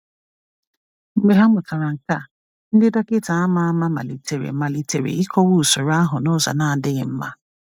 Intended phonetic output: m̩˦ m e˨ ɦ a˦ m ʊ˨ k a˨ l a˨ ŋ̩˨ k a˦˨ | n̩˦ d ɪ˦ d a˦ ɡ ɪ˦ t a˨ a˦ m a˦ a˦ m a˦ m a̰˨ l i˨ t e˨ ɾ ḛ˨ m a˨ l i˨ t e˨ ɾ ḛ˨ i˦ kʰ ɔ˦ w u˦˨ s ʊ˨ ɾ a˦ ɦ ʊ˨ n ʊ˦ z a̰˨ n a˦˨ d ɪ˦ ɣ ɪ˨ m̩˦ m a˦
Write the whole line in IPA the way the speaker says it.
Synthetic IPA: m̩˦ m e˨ ɦ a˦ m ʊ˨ k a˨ ɾ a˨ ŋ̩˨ k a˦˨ | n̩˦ d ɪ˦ d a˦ k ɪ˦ t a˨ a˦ m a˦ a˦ m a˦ m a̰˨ l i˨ t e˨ ɾ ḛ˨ m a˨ l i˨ t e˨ ɾ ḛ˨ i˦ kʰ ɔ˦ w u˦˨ s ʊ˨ ɾ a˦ ɦ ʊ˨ n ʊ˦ z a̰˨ n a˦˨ d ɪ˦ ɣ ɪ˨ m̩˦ m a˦

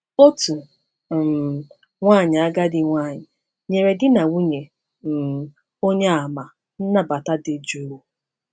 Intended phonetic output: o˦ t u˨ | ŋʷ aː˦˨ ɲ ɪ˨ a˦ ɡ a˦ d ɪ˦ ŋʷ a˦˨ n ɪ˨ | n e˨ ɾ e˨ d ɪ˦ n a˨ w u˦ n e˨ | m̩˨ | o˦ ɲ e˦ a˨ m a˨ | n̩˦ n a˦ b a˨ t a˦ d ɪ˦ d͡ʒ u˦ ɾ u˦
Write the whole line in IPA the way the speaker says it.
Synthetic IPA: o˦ t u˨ | ŋʷ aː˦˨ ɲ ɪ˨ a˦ ɡ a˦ d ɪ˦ ŋʷ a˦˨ ɲ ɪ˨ | ɲ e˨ ɾ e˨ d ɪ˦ n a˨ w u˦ ɲ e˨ | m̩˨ | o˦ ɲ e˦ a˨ m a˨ | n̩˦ n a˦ b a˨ t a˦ d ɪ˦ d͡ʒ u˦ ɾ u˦

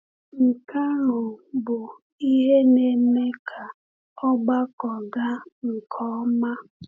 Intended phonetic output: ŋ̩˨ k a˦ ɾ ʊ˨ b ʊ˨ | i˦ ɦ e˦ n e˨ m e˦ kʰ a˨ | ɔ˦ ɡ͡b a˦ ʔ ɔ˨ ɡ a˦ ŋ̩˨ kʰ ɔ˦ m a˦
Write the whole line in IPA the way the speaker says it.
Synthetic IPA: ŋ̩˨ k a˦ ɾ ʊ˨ b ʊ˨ | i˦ ɦ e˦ n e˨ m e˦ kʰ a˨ | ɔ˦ ɡ͡b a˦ k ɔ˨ ɡ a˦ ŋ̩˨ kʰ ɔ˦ m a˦

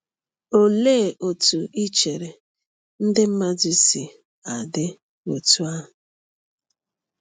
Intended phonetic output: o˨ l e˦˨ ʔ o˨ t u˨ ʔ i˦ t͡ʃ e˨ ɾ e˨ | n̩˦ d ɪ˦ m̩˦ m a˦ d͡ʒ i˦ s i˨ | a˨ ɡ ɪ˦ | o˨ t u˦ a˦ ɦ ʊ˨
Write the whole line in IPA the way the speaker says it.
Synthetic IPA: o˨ l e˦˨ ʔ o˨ t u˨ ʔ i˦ t͡ʃ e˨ ɾ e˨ | n̩˦ d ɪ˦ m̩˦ m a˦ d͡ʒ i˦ s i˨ | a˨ d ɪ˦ | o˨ t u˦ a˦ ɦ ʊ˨

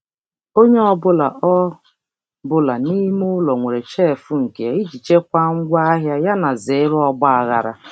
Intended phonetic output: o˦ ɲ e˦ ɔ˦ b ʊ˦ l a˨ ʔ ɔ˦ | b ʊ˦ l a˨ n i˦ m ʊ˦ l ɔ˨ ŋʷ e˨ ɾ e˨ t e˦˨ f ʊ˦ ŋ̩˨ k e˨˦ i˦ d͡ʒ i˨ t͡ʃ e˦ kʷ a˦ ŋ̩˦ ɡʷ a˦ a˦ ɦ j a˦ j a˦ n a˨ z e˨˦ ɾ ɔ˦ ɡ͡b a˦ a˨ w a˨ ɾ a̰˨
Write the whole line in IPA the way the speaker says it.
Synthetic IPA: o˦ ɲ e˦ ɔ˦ b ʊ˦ l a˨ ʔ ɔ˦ | b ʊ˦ l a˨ n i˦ m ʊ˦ l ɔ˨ ŋʷ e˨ ɾ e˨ t͡ʃ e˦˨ f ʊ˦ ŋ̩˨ k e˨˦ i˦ d͡ʒ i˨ t͡ʃ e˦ kʷ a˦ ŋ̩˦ ɡʷ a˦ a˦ ɦ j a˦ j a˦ n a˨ z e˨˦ ɾ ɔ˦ ɡ͡b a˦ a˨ ɣ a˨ ɾ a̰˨

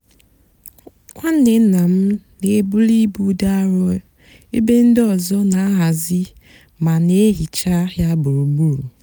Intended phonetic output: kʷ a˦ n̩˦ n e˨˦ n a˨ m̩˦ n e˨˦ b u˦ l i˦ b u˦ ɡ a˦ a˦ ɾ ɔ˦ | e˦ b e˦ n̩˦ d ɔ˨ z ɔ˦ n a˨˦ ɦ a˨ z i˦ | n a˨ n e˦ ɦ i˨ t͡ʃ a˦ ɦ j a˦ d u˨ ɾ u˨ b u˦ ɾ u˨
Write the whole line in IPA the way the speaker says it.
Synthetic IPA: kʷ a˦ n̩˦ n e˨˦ n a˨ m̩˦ n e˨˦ b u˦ l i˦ b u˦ d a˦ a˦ ɾ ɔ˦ | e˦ b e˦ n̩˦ d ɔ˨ z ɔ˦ n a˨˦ ɦ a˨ z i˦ | m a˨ n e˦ ɦ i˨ t͡ʃ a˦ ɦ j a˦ b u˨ ɾ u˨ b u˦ ɾ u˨

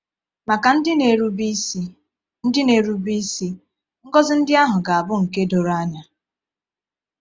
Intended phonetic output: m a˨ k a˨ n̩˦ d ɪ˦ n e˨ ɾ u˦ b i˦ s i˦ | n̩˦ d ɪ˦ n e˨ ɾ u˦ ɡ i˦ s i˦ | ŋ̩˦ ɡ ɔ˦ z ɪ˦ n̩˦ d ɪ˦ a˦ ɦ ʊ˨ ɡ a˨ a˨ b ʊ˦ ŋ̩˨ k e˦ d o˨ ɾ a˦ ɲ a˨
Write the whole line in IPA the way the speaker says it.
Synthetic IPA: m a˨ k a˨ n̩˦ d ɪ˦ n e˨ ɾ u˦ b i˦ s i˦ | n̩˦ d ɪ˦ n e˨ ɾ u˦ b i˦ s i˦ | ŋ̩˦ ɡ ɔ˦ z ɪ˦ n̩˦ d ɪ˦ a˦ ɦ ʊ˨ ɡ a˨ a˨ b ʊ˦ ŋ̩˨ k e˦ d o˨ ɾ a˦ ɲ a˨

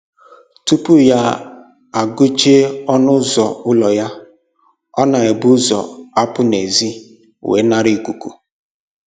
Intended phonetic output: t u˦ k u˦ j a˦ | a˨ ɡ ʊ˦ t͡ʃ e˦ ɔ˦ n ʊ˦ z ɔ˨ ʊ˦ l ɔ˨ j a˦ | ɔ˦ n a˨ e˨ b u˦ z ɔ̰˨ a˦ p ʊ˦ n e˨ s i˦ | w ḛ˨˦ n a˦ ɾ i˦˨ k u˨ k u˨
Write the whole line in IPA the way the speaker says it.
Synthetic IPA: t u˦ p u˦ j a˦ | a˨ ɡ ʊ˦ t͡ʃ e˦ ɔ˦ n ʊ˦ z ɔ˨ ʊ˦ l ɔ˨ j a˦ | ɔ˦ n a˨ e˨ b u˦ z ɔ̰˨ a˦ p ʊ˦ n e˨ z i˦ | w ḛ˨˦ n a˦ ɾ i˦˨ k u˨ k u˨

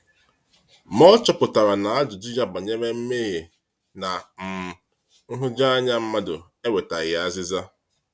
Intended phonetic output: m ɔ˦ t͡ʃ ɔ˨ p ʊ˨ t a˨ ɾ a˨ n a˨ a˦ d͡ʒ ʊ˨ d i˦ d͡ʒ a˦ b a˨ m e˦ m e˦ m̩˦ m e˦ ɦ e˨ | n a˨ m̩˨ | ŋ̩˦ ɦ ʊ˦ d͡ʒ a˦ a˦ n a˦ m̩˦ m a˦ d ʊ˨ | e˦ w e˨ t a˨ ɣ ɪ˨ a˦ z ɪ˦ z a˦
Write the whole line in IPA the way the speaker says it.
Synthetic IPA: m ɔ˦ t͡ʃ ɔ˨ p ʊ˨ t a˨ ɾ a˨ n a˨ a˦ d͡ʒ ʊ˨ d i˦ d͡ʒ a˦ b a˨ ɲ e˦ m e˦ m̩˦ m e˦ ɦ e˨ | n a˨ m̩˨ | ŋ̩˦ ɦ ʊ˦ d͡ʒ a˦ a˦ ɲ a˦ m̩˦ m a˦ d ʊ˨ | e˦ w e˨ t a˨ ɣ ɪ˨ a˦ z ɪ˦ z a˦

